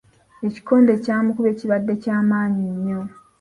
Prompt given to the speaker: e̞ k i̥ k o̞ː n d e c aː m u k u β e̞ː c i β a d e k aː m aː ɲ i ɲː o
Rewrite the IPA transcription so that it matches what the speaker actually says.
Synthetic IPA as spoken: e̞ c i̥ k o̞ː n d e c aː m u k u β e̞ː c i β a dː e c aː m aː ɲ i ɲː o